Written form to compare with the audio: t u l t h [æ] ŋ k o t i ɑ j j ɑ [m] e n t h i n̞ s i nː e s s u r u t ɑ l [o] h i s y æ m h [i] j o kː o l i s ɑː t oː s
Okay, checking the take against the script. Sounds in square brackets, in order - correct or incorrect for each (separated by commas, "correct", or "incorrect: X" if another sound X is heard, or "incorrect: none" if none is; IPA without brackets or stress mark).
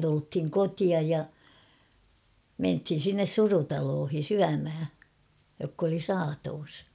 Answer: incorrect: i, correct, incorrect: oː, incorrect: æ